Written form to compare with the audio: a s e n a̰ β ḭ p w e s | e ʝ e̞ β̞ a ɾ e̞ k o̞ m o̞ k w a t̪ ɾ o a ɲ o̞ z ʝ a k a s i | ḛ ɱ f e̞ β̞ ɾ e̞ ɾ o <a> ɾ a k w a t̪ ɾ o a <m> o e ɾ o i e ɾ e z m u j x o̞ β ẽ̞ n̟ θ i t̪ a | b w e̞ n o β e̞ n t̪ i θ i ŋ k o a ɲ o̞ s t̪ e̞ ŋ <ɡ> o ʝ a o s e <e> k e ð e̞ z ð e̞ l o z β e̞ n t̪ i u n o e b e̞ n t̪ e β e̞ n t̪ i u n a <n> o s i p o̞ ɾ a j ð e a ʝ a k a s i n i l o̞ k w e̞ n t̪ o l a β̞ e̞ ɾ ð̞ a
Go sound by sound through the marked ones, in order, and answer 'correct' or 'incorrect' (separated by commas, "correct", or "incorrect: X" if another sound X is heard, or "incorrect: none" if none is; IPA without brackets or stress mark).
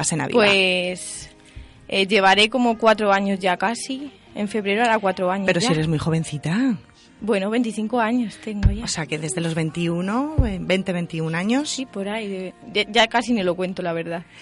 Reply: correct, incorrect: ɲ, correct, incorrect: a, incorrect: ɲ